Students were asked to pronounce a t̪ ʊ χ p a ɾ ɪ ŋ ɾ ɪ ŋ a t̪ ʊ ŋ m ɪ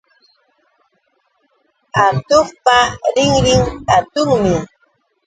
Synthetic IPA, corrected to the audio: a t̪ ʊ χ p a ɾ ɪ ŋ ɾ ɪ ŋ a t̪ ʊ ŋ m ɪ